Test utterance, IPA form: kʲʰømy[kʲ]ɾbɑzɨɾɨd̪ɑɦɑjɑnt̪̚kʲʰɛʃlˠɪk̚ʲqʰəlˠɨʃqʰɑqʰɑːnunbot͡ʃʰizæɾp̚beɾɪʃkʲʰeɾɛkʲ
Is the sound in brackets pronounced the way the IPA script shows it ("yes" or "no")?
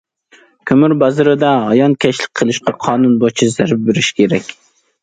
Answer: no